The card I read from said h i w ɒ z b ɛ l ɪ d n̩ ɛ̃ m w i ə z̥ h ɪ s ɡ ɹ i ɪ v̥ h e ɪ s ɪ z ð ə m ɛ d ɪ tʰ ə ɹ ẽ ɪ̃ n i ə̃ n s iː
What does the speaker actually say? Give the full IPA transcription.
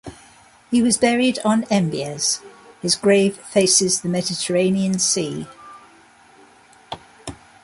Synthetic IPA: h i w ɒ z b ɛ ɹ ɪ d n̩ ɛ̃ m b i ə z̥ h ɪ z ɡ ɹ e ɪ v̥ f e ɪ s ɪ z ð ə m ɛ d ɪ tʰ ə ɹ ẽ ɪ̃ n i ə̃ n s iː